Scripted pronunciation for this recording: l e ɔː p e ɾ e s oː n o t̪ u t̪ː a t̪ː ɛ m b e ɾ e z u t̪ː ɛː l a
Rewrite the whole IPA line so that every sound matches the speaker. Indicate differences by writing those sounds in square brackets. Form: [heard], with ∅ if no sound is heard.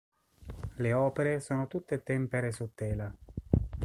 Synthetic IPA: l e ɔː p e ɾ e s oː n o t̪ u t̪ː [e] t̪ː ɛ m [p] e ɾ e [s] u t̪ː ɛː l a